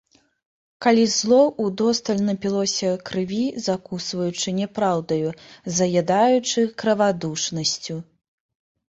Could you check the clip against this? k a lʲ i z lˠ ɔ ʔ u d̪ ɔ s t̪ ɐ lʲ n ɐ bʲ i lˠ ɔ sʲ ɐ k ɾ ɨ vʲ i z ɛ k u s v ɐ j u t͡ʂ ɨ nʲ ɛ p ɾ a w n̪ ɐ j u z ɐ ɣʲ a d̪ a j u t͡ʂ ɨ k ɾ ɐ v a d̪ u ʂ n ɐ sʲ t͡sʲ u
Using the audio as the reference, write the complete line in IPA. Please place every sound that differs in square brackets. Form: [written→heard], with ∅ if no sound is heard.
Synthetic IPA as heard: k a lʲ i z lˠ ɔ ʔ u d̪ ɔ s t̪ ɐ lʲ n ɐ [bʲ→pʲ] i lˠ ɔ sʲ ɐ k ɾ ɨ vʲ i z [ɛ→a] k u s v ɐ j u t͡ʂ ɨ nʲ ɛ p ɾ a w [n̪→d̪] ɐ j u z ɐ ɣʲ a d̪ a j u t͡ʂ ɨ k ɾ ɐ v a d̪ u ʂ n ɐ sʲ t͡sʲ u